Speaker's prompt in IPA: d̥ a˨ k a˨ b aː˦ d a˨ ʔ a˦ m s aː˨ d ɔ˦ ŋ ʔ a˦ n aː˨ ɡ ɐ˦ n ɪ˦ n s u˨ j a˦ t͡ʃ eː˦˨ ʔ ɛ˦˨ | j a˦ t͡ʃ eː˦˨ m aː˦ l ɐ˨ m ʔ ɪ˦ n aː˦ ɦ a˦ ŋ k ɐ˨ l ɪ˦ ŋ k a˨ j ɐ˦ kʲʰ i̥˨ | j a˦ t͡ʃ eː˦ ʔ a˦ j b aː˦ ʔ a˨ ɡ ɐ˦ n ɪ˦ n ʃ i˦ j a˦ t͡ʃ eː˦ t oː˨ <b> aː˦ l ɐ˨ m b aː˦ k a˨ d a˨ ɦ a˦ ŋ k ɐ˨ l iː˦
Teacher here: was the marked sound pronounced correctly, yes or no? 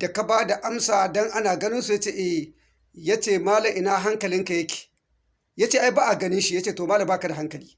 no